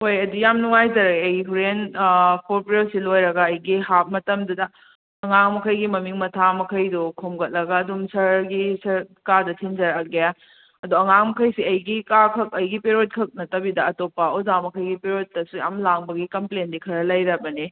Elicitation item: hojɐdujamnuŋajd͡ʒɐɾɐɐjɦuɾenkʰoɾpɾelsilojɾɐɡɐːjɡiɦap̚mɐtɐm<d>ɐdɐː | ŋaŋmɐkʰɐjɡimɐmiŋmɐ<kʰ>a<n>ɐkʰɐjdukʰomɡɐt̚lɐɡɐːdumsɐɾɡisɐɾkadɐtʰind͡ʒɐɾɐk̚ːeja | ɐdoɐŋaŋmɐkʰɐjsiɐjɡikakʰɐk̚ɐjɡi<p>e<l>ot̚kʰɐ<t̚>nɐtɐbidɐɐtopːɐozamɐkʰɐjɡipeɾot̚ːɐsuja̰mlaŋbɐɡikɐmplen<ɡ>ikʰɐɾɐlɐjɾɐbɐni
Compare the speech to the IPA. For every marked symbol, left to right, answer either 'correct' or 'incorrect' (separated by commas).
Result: correct, incorrect, incorrect, correct, incorrect, incorrect, incorrect